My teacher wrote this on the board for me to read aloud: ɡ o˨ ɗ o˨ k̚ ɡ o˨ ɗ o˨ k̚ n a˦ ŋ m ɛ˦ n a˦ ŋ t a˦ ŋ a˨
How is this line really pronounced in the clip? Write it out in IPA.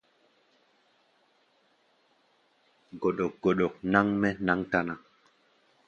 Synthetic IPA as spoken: ɡ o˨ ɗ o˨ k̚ ɡ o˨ ɗ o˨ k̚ n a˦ ŋ m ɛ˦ n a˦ ŋ t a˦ n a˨